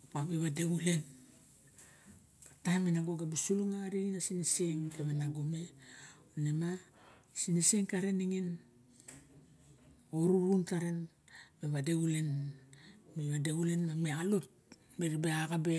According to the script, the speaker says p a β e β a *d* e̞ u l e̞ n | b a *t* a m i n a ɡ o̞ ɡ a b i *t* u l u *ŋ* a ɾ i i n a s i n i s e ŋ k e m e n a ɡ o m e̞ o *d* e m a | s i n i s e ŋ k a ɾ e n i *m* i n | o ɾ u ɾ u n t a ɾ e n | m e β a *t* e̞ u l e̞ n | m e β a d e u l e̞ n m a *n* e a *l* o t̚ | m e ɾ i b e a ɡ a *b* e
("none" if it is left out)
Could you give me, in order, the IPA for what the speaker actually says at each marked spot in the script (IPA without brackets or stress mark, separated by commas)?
d, t, s, ŋ, n, ŋ, d, m, l, b